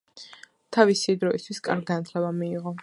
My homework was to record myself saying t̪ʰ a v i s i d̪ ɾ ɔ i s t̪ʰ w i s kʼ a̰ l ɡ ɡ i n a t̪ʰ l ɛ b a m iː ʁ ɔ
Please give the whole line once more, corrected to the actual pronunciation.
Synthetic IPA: t̪ʰ a v i s i d̪ ɾ ɔ i s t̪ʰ w i s kʼ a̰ ɾ ɡ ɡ a n a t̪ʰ l ɛ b a m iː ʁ ɔ